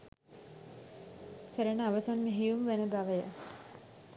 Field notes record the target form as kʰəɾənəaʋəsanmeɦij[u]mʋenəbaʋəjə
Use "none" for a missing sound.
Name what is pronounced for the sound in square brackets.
u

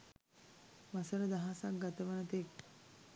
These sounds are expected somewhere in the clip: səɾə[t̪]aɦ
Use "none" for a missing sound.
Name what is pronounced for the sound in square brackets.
d̪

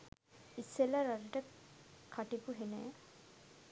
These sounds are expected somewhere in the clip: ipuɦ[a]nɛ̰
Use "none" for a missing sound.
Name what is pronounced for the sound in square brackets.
e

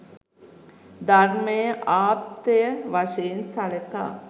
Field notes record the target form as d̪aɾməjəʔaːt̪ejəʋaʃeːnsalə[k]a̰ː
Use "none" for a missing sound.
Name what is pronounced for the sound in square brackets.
k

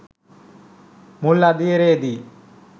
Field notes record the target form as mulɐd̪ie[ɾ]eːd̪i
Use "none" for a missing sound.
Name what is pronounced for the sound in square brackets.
ɾ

